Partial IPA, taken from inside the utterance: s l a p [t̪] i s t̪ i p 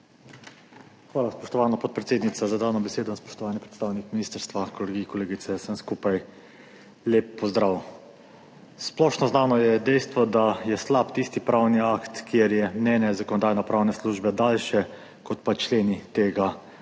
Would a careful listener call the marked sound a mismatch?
no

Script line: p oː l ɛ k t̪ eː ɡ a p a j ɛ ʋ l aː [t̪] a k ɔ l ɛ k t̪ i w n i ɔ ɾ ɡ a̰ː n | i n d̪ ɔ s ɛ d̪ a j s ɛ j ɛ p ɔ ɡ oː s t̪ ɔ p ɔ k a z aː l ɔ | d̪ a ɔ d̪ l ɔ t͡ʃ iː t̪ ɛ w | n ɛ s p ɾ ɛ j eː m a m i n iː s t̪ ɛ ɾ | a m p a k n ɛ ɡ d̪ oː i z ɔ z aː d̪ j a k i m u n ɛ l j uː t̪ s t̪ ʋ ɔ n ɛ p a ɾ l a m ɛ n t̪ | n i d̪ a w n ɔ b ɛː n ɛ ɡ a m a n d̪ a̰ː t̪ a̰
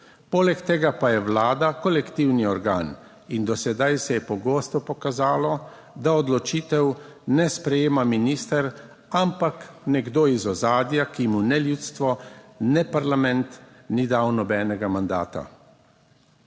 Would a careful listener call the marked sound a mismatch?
yes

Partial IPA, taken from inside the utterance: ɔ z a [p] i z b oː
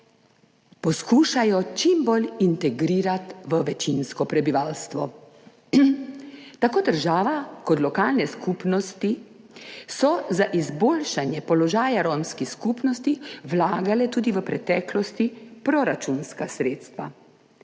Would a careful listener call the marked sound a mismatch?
yes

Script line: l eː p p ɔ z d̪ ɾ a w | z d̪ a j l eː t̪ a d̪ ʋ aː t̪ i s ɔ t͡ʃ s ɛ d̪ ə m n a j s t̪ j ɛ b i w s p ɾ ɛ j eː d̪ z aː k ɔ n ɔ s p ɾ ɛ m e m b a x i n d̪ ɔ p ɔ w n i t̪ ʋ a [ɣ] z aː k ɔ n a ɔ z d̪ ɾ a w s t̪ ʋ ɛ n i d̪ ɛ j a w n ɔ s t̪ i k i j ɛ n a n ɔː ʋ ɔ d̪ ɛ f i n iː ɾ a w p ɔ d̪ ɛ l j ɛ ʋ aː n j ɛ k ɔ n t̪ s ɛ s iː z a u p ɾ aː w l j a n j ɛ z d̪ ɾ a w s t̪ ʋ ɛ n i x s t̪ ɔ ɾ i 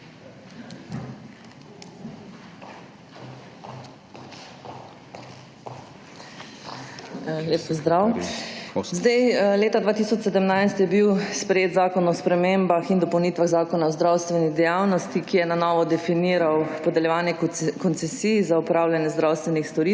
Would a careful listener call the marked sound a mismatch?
no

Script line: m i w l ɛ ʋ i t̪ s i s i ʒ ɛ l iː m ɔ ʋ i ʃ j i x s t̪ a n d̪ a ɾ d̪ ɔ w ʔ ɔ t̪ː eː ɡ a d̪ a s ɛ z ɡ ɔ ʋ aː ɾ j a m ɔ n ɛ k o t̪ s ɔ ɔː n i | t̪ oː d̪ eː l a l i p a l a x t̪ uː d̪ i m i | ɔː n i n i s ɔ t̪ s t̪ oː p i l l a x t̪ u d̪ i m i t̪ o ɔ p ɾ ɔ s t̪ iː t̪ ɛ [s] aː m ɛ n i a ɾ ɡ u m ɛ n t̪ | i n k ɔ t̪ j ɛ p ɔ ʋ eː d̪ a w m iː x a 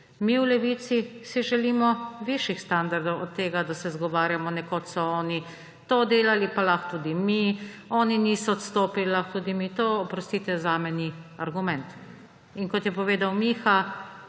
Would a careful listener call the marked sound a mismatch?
yes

